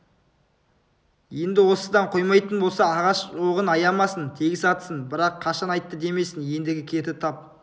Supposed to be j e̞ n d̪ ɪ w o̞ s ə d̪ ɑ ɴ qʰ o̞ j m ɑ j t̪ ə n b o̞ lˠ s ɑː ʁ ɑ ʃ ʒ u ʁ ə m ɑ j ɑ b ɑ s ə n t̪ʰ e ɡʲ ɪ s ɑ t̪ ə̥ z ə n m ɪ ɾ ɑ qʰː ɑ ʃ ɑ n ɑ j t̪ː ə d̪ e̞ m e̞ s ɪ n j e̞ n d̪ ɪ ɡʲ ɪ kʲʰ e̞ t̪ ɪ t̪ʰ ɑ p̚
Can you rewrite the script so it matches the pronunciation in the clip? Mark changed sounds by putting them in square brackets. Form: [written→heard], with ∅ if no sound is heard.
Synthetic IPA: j e̞ n d̪ ɪ w o̞ s ə d̪ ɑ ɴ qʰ o̞ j m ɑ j t̪ ə n b o̞ lˠ s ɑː ʁ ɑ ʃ ʒ [u→o] ʁ ə [m→n] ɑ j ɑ [b→m] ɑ s ə n t̪ʰ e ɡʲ ɪ s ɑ t̪ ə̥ [z→s] ə n [m→b] ɪ ɾ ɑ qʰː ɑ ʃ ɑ n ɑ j t̪ː ə d̪ e̞ m e̞ s ɪ n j e̞ n d̪ ɪ ɡʲ ɪ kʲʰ e̞ t̪ ɪ t̪ʰ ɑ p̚